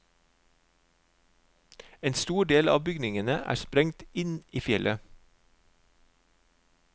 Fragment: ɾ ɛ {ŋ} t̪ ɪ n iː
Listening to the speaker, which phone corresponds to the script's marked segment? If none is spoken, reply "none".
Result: ŋ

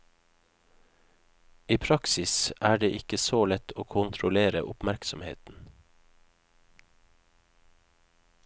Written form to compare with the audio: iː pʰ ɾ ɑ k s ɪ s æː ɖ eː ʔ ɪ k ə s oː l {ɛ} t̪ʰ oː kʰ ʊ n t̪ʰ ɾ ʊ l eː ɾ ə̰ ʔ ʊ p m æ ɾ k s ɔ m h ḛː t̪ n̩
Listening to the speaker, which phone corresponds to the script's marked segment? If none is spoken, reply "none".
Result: ɛ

